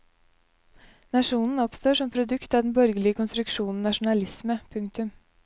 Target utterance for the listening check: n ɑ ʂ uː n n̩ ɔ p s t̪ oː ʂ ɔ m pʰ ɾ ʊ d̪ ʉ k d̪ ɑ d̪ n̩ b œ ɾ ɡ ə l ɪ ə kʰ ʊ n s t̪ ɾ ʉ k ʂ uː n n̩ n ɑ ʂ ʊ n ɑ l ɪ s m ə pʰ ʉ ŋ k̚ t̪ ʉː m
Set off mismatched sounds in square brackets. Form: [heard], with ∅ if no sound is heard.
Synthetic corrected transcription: n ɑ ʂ uː n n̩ ɔ p s t̪ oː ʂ ɔ m pʰ ɾ ʊ d̪ ʉ k [t̪] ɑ d̪ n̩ b œ ɾ ɡ ə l ɪ ə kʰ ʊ n s t̪ ɾ ʉ k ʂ uː n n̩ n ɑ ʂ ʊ n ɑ l ɪ s m ə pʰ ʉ ŋ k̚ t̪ [ʉ] m